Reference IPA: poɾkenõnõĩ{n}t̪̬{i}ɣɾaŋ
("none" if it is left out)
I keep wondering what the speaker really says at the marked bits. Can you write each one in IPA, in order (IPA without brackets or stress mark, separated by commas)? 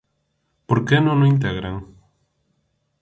n, e